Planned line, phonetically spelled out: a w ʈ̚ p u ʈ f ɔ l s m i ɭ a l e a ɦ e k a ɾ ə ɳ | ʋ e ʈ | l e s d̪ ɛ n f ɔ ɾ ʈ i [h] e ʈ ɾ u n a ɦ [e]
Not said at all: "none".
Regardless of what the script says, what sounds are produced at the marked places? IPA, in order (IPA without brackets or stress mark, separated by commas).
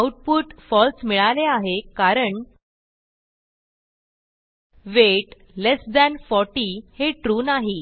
h, i